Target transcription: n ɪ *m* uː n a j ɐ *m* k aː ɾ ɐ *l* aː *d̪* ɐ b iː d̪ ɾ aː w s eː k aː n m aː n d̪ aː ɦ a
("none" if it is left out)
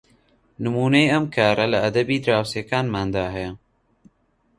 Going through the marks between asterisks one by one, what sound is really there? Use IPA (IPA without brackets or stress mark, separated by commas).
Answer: m, m, l, d̪